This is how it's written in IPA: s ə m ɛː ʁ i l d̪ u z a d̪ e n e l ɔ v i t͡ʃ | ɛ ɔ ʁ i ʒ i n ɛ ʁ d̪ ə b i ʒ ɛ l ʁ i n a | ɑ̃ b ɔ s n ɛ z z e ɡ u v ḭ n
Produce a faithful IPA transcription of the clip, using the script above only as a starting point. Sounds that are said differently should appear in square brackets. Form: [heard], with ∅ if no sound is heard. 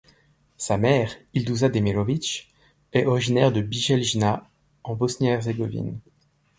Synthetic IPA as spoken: s [a] m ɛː ʁ i l d̪ u z a d̪ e [m] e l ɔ v i t͡ʃ | ɛ ɔ ʁ i ʒ i n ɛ ʁ d̪ ə b i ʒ ɛ l [ʒ] i n a | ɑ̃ b ɔ s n ɛ [ʁ] z e ɡ [ɔ] v ḭ n